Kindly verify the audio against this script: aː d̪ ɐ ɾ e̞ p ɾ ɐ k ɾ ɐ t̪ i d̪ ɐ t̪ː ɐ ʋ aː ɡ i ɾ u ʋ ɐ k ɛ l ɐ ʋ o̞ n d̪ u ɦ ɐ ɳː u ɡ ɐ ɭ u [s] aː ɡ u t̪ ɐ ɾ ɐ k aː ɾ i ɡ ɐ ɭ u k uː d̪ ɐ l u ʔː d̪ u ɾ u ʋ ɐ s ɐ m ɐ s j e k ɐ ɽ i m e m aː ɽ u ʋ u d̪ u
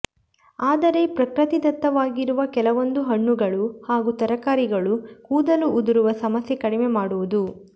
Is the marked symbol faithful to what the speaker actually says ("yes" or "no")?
no